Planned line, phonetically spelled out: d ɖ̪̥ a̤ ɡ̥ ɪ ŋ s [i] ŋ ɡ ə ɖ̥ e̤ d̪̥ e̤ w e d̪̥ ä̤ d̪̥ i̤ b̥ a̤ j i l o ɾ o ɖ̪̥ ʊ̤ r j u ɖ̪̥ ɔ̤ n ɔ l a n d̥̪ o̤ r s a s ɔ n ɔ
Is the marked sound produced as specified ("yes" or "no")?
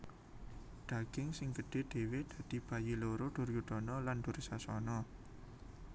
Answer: no